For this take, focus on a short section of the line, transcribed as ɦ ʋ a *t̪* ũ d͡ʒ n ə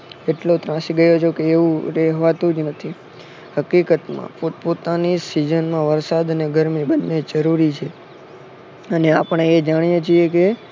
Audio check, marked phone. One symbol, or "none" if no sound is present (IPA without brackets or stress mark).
t̪